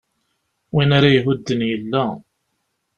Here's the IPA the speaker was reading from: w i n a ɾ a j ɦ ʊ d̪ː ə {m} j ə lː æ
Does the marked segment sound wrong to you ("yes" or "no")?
yes